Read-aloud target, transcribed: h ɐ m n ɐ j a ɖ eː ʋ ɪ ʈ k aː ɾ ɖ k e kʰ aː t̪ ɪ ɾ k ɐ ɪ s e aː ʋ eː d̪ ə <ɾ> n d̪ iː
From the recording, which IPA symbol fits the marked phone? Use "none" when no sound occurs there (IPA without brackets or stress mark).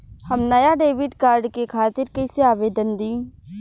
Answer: none